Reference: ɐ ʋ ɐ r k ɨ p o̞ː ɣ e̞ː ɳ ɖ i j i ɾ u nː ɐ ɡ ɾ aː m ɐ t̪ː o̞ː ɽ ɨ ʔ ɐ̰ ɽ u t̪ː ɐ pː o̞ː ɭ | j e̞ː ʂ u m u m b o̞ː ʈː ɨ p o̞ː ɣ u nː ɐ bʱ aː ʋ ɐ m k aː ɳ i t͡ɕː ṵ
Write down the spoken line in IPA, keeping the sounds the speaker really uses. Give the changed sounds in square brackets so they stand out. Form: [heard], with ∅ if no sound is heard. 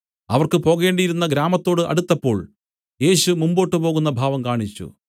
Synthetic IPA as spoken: ɐ ʋ ɐ r k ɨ p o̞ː ɣ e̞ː ɳ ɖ i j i ɾ u nː ɐ ɡ ɾ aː m ɐ t̪ː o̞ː ɽ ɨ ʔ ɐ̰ ɽ u t̪ː ɐ pː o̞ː ɭ | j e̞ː [ɕ] u m u m b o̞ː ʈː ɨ p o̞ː ɣ u nː ɐ bʱ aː ʋ ɐ m k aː ɳ i t͡ɕː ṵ